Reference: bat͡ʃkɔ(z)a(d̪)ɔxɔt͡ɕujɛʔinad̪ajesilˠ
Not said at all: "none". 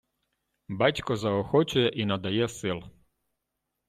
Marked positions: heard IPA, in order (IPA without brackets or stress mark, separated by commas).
z, none